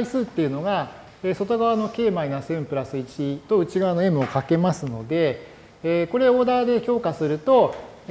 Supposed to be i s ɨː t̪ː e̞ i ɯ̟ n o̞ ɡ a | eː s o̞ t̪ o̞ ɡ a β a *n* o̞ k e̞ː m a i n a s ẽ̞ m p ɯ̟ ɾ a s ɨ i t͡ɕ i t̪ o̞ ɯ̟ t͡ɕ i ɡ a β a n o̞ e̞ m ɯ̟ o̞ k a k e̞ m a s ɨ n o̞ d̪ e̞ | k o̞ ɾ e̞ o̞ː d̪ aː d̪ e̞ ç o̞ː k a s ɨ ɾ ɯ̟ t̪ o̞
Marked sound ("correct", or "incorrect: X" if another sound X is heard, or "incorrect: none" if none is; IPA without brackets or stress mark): correct